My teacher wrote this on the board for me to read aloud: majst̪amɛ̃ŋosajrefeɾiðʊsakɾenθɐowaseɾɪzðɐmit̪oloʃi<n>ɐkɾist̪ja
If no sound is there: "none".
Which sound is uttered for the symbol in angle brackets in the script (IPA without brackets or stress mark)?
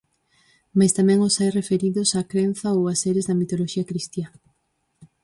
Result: none